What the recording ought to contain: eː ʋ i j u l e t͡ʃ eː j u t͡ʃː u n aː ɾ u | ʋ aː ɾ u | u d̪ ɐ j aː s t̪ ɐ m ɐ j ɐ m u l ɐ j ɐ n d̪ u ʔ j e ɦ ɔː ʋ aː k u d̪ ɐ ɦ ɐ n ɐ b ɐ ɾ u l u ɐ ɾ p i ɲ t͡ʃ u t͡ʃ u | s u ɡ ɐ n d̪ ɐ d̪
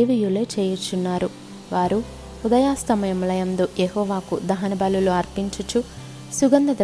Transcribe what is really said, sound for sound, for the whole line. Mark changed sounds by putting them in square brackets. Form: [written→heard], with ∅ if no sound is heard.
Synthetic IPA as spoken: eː ʋ i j u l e t͡ʃ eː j u t͡ʃː u [n→nː] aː ɾ u | ʋ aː ɾ u | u d̪ ɐ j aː s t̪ ɐ m ɐ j ɐ m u l ɐ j ɐ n d̪ u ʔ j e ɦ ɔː ʋ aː k u d̪ ɐ ɦ ɐ n ɐ b ɐ [ɾ→l] u l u ɐ ɾ p i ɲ t͡ʃ u t͡ʃ u | s u ɡ ɐ n d̪ ɐ d̪